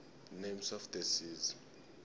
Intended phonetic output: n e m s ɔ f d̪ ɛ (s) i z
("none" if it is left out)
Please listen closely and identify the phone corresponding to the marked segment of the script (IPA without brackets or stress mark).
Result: s